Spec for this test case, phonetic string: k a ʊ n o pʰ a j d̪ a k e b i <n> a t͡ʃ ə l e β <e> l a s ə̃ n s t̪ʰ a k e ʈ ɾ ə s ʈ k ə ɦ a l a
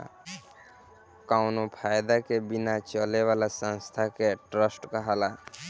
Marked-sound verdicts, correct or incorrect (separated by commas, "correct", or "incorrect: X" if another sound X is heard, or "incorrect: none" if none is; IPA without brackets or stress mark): correct, incorrect: a